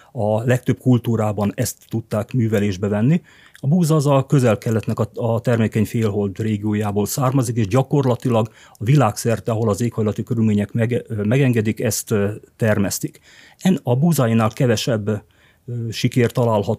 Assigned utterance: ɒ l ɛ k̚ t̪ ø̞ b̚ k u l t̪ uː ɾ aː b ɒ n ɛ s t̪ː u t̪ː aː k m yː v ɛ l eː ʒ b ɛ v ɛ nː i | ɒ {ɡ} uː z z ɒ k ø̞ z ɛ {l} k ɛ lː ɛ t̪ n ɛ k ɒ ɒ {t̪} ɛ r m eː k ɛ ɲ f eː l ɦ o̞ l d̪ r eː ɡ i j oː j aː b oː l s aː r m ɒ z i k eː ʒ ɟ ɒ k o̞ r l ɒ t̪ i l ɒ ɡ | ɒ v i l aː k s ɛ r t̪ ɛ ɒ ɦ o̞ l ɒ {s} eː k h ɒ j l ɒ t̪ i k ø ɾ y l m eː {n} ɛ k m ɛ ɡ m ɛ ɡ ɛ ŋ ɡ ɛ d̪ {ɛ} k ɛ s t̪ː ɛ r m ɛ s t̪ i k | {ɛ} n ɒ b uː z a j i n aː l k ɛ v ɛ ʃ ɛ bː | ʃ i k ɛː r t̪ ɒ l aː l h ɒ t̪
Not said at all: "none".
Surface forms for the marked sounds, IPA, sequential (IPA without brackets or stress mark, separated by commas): b, l, t̪, z, ɲ, i, ɛ